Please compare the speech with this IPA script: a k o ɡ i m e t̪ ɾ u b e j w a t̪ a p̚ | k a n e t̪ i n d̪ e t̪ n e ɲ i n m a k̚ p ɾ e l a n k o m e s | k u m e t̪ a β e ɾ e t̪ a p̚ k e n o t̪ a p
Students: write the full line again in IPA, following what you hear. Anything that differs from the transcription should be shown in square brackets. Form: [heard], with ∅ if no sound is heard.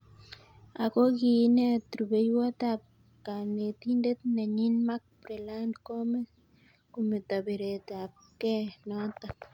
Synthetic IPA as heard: a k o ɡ i [n] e t̪ ɾ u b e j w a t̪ a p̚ | k a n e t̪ i n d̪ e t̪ n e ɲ i n m a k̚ p ɾ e l a n k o m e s | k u m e t̪ a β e ɾ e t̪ a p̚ k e n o t̪ a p